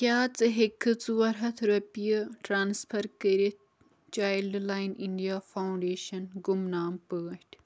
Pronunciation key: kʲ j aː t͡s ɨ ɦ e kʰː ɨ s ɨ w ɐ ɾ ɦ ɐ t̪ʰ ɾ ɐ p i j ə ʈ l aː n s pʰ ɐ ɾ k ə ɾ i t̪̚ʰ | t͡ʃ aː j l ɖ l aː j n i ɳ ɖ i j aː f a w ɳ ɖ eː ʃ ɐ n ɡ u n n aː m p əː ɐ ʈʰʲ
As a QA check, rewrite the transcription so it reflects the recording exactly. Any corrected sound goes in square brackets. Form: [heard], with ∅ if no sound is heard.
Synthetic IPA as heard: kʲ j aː t͡s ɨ ɦ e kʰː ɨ [t͡s] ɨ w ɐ ɾ ɦ ɐ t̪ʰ ɾ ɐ p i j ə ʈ [ɾ] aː n s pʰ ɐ ɾ k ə ɾ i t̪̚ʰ | t͡ʃ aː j l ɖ l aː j n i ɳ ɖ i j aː f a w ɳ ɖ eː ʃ ɐ n ɡ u [m] n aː m p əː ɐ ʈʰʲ